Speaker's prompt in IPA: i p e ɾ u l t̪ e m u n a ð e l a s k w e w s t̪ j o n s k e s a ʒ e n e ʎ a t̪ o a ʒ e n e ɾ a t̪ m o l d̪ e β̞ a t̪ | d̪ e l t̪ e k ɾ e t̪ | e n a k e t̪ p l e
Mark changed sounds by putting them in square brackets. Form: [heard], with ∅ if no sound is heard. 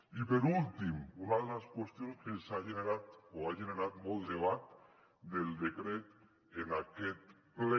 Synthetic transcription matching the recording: i p e ɾ u l t̪ [i] m u n a ð e l a s k w e [∅] s t̪ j o n s k e s a ʒ e n e [ɾ] a t̪ o a ʒ e n e ɾ a t̪ m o l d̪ e β̞ a t̪ | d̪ e l [d̪] e k ɾ e t̪ | e n a k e t̪ p l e